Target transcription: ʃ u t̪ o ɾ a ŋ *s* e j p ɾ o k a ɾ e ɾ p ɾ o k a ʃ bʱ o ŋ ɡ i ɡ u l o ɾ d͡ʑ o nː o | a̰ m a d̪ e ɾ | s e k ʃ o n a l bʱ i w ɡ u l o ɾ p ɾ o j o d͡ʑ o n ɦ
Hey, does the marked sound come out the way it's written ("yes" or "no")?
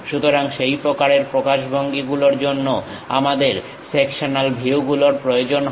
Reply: no